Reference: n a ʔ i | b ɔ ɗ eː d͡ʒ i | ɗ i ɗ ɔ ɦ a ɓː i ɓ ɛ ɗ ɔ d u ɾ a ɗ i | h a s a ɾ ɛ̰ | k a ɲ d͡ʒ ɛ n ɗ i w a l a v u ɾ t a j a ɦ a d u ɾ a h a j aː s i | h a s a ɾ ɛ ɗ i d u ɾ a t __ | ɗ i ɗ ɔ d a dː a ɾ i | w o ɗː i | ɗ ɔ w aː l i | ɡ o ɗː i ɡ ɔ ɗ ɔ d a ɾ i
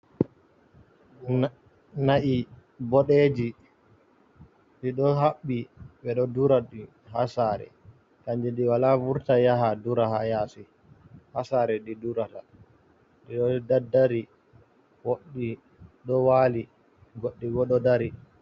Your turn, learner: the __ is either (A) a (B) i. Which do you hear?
A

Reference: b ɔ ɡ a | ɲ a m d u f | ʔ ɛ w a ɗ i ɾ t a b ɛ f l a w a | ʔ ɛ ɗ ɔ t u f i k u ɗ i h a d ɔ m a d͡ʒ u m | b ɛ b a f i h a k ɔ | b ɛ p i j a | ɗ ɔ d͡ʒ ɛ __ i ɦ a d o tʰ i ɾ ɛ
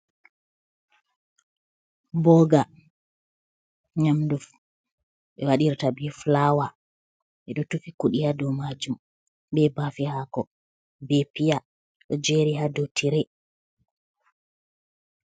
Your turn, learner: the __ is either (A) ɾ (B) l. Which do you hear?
A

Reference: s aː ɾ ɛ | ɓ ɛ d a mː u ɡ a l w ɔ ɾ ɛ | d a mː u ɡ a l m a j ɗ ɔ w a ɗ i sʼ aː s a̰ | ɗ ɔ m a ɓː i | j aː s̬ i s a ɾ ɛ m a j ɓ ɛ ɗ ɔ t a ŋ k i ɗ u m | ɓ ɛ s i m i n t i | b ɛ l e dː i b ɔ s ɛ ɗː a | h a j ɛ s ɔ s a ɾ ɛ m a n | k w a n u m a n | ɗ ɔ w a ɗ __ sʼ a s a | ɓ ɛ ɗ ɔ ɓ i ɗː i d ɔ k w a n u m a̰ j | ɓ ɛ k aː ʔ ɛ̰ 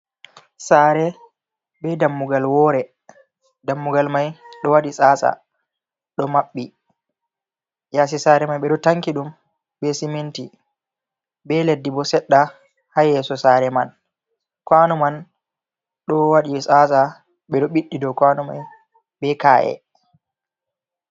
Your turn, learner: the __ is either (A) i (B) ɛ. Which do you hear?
A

